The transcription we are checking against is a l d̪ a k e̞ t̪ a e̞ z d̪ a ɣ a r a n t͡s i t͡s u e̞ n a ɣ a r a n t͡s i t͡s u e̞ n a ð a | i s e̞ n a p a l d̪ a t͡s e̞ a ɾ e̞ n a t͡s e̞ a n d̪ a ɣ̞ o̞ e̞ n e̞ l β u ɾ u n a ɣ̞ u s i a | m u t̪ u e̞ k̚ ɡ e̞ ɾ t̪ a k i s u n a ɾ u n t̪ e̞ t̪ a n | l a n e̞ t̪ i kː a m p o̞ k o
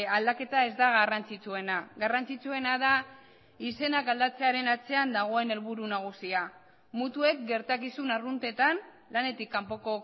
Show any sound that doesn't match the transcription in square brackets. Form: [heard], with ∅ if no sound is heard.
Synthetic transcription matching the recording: a l d̪ a k e̞ t̪ a e̞ z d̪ a ɣ a r a n t͡s i t͡s u e̞ n a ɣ a r a n t͡s i t͡s u e̞ n a ð a | i s e̞ n a [k] a l d̪ a t͡s e̞ a ɾ e̞ n a t͡s e̞ a n d̪ a ɣ̞ o̞ e̞ n e̞ l β u ɾ u n a ɣ̞ u s i a | m u t̪ u e̞ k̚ ɡ e̞ ɾ t̪ a k i s u n a [r] u n t̪ e̞ t̪ a n | l a n e̞ t̪ i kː a m p o̞ k o